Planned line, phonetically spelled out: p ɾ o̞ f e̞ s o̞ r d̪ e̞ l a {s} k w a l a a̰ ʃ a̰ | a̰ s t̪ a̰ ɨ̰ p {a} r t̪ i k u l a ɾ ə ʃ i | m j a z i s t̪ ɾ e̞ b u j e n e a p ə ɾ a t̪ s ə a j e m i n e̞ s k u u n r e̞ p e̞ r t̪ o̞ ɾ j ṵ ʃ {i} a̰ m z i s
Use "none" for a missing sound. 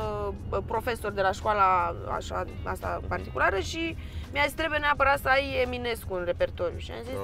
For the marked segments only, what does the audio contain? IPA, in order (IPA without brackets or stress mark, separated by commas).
ʃ, a, i